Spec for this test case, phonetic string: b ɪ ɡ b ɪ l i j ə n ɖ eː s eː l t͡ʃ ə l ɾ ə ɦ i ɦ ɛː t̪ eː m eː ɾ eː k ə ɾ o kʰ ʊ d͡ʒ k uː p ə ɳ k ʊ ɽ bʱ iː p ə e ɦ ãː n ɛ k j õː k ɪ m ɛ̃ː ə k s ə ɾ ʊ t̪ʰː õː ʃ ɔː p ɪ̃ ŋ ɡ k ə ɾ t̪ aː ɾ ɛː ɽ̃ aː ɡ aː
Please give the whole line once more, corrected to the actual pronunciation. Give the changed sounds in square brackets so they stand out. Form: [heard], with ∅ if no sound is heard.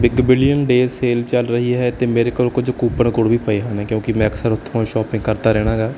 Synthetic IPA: b ɪ ɡ b ɪ l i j ə n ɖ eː s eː l t͡ʃ ə l ɾ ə ɦ i ɦ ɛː t̪ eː m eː ɾ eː k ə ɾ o [k] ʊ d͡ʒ k uː p ə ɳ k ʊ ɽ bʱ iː p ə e ɦ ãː n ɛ k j õː k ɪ m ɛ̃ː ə k s ə ɾ ʊ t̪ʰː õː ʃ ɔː p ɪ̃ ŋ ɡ k ə ɾ t̪ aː ɾ ɛː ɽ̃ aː ɡ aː